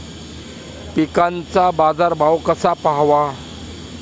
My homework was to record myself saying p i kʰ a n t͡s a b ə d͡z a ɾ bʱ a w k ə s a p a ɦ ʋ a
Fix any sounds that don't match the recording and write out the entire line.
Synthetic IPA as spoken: p i k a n t͡s a b a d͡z a ɾ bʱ a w k ə s a p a ɦ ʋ a